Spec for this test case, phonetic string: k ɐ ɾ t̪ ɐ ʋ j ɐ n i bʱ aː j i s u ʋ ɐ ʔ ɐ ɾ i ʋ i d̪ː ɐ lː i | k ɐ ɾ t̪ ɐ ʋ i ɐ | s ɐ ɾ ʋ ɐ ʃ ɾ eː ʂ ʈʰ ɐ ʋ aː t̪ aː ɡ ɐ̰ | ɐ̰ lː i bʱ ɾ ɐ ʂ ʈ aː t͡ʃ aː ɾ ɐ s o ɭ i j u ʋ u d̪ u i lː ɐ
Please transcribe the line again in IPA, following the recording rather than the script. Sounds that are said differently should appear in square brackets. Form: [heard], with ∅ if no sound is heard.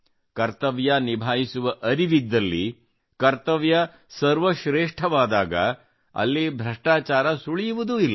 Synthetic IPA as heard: k ɐ ɾ t̪ ɐ ʋ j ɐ n i bʱ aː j i s u ʋ ɐ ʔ ɐ ɾ i ʋ i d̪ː ɐ lː i | k ɐ ɾ t̪ ɐ ʋ [j] ɐ | s ɐ ɾ ʋ ɐ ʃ ɾ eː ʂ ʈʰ ɐ ʋ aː [d̪] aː ɡ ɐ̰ | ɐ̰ lː i bʱ ɾ ɐ ʂ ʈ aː t͡ʃ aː ɾ ɐ s [u] ɭ i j u ʋ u d̪ u i lː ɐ